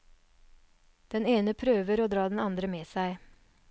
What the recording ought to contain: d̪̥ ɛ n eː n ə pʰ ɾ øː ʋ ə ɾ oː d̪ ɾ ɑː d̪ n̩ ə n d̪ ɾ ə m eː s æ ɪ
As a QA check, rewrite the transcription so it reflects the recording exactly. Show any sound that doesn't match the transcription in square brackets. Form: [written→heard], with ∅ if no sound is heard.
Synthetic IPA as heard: d̪̥ ɛ n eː n ə pʰ ɾ øː ʋ ə ɾ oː d̪ ɾ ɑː d̪ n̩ [ə→ɑ] n d̪ ɾ ə m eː s æ ɪ